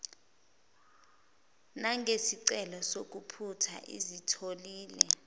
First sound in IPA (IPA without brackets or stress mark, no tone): n